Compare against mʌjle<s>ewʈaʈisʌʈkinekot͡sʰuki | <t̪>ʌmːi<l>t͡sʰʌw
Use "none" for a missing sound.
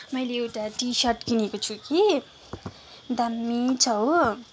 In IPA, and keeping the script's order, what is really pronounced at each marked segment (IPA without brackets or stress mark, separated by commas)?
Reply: none, d̪, none